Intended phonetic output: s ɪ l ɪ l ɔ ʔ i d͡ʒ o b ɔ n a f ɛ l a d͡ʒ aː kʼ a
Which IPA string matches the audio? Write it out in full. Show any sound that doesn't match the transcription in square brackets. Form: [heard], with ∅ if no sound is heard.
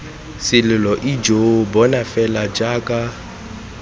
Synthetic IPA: s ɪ l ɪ l ɔ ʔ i d͡ʒ o b ɔ n a f ɛ l a d͡ʒ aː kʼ a